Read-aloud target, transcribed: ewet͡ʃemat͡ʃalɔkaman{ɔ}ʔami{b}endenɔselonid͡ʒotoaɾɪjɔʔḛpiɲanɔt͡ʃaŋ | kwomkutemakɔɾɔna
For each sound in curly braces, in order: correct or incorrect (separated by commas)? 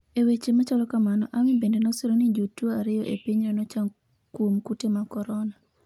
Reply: correct, correct